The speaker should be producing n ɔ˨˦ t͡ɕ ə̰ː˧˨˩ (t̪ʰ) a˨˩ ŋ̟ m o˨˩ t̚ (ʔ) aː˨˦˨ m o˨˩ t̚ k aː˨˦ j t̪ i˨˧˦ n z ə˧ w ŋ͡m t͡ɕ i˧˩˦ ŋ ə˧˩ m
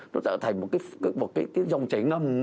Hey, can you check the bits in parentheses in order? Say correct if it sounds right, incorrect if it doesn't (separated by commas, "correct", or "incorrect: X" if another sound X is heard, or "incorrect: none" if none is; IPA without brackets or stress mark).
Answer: correct, incorrect: k